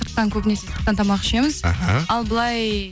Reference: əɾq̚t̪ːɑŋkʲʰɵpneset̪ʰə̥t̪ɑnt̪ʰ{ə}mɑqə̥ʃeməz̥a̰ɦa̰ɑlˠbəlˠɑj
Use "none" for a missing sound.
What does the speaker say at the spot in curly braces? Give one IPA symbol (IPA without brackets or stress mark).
ɑ